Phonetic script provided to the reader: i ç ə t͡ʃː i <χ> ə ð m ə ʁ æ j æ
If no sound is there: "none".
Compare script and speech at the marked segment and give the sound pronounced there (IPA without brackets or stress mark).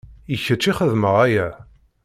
χ